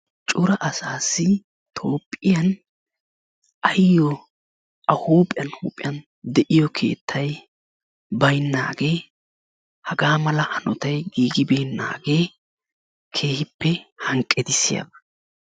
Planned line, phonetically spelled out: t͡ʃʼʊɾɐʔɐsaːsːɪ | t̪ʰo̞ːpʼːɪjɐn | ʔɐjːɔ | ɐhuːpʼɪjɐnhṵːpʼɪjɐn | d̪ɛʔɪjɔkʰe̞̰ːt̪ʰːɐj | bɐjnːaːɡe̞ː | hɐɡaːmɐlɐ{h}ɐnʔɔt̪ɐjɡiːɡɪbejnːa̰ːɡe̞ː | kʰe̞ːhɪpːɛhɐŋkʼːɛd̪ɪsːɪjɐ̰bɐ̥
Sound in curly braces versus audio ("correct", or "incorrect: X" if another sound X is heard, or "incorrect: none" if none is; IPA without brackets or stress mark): correct